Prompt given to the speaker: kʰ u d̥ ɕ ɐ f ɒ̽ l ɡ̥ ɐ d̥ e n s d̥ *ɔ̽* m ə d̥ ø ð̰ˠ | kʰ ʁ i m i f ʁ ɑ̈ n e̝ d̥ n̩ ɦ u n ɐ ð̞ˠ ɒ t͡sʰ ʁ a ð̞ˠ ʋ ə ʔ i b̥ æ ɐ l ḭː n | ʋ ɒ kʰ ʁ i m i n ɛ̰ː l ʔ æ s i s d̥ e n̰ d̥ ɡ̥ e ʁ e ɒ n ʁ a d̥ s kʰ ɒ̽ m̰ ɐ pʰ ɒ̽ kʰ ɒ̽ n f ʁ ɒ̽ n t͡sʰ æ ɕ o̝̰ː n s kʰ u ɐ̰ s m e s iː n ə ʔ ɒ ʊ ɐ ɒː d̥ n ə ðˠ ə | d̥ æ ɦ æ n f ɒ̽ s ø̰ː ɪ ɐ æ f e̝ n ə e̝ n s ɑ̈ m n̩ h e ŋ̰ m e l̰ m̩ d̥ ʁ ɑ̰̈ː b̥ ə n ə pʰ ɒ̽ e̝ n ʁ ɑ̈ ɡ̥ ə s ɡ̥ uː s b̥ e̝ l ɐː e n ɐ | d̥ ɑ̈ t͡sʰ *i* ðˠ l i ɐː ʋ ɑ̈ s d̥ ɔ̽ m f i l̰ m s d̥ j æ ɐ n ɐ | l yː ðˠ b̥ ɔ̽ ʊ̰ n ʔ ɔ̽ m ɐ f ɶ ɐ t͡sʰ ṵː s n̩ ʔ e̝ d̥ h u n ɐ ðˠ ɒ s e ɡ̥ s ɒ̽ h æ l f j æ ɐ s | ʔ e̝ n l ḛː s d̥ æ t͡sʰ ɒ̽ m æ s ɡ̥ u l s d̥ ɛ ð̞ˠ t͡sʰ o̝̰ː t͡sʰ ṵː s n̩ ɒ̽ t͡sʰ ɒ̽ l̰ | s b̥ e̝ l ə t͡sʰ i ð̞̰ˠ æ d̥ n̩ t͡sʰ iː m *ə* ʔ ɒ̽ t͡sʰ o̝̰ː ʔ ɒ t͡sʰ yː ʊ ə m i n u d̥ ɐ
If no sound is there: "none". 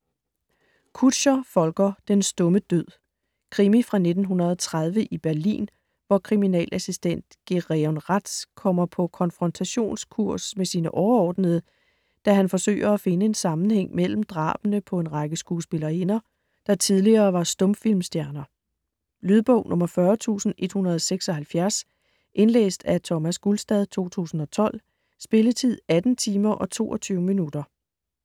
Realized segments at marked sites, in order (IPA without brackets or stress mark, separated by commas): ɔ̽, i, ɐ